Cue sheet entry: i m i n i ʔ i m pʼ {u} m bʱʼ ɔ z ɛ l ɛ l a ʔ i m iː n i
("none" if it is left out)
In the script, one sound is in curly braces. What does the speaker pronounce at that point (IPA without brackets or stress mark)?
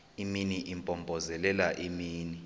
ɔ